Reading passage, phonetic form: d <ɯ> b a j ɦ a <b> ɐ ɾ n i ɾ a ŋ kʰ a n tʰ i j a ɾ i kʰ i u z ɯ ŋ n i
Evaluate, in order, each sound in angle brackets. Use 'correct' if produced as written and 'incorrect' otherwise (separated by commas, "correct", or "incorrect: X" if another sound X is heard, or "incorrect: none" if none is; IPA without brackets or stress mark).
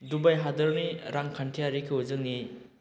incorrect: u, incorrect: d